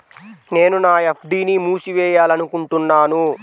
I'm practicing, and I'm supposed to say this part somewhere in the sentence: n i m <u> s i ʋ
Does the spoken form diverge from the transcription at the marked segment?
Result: yes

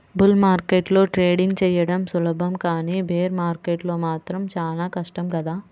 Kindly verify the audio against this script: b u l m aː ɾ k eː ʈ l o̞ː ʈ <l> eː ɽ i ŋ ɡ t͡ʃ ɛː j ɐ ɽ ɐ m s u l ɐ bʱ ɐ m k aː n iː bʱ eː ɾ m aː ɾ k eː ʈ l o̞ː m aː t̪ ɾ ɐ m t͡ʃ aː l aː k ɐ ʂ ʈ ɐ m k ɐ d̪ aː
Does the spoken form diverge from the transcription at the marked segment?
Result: yes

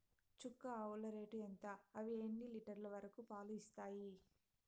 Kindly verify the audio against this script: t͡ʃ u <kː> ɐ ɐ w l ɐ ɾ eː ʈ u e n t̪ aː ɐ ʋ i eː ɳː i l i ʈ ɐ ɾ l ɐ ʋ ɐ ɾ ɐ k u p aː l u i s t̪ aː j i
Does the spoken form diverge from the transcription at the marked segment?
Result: no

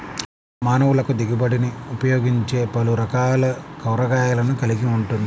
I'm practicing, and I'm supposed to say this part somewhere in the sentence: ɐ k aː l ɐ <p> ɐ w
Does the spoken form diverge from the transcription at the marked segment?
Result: yes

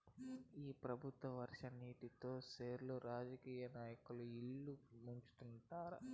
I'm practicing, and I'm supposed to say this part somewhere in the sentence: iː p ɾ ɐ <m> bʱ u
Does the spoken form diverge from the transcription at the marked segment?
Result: yes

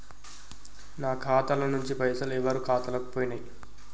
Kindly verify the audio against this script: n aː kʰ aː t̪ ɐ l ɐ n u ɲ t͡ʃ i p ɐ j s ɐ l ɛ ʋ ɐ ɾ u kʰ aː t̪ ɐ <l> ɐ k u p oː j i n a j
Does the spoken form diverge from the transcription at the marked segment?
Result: no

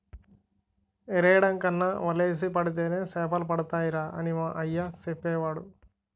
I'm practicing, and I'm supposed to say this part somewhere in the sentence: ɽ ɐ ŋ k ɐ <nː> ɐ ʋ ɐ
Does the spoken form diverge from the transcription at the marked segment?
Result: no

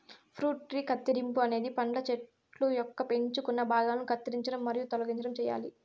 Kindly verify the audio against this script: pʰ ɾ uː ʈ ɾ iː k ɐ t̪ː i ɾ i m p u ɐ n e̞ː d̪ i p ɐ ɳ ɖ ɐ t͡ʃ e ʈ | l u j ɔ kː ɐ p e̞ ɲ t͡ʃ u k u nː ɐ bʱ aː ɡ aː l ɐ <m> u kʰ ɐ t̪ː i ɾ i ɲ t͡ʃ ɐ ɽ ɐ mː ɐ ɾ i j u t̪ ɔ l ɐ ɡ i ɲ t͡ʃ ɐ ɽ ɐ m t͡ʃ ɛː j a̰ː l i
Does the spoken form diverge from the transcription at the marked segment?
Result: yes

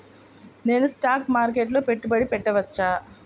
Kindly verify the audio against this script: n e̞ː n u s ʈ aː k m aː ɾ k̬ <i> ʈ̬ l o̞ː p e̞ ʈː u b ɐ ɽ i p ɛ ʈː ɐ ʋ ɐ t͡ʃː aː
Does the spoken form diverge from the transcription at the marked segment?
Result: yes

